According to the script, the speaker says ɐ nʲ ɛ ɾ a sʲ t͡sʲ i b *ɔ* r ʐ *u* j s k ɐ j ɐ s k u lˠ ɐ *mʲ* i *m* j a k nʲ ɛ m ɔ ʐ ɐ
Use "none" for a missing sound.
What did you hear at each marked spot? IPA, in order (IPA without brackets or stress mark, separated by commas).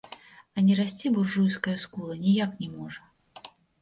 u, u, nʲ, none